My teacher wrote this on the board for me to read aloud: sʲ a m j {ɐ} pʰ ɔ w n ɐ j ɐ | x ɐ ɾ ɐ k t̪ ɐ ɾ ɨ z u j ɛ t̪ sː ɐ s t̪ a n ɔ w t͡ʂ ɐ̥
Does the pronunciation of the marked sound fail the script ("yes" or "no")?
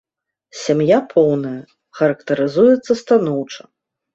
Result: yes